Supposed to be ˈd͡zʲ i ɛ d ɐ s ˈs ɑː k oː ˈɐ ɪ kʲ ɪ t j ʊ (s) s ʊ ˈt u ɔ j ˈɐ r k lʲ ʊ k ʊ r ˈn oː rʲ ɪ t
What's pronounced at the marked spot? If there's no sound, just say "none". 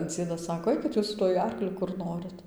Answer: s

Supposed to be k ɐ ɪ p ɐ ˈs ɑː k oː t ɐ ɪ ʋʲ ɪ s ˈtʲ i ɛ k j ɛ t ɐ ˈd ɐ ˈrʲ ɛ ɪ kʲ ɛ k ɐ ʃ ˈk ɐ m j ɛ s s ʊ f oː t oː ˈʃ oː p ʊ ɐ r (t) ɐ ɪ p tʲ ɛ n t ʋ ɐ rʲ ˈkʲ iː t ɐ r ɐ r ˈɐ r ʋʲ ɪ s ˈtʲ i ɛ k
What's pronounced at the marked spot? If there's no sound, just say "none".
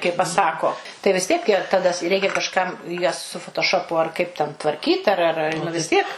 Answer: k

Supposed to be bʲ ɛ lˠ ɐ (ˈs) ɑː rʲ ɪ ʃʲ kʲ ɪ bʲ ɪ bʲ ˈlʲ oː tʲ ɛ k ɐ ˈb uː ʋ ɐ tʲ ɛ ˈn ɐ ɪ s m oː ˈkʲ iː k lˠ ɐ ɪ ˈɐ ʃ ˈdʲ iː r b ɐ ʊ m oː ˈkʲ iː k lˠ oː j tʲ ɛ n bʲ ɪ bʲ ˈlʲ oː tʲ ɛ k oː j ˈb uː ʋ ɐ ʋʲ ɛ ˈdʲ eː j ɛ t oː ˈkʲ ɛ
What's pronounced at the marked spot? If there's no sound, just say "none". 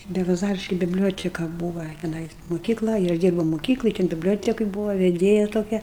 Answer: z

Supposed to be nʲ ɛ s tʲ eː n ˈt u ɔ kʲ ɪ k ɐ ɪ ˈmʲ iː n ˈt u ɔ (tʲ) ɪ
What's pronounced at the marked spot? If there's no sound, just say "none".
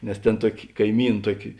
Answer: kʲ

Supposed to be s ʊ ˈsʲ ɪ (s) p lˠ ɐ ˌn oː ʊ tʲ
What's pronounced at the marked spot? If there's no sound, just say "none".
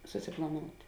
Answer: none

